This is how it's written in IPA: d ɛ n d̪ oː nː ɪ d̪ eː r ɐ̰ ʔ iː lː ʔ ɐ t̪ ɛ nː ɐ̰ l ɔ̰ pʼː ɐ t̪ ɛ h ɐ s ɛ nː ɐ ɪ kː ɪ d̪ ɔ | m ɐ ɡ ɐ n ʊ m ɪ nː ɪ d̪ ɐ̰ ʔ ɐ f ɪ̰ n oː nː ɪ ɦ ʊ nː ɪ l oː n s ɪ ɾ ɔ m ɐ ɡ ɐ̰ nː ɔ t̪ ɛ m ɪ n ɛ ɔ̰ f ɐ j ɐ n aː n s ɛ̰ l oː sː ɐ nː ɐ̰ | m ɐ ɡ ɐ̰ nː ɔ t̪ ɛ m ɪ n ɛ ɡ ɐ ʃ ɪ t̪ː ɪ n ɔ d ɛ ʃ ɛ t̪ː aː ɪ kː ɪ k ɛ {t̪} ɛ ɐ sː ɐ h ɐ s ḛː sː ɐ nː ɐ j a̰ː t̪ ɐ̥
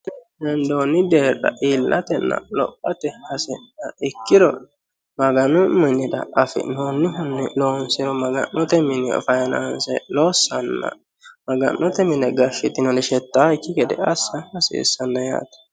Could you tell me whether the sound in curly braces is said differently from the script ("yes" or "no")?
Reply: yes